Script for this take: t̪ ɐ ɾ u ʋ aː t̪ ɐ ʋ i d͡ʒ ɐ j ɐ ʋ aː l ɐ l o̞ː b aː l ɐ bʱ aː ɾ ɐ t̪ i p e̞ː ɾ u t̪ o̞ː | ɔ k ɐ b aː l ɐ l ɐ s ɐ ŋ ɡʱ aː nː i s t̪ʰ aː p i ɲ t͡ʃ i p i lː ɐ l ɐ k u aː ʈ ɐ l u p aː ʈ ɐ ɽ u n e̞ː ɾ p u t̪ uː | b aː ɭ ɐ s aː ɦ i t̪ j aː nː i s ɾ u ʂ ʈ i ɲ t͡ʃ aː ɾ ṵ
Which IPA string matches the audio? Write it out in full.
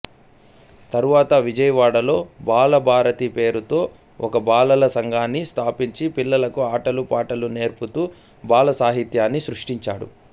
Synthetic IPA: t̪ ɐ ɾ u ʋ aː t̪ ɐ ʋ i d͡ʒ ɐ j ɐ ʋ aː ɽ ɐ l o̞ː b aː l ɐ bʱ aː ɾ ɐ t̪ i p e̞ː ɾ u t̪ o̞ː | ɔ k ɐ b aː l ɐ l ɐ s ɐ ŋ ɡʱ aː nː i s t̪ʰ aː p i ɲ t͡ʃ i p i lː ɐ l ɐ k u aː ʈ ɐ l u p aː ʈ ɐ l u n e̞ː ɾ p u t̪ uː | b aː l ɐ s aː ɦ i t̪ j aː nː i s ɾ u ʂ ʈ i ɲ t͡ʃ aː ɽ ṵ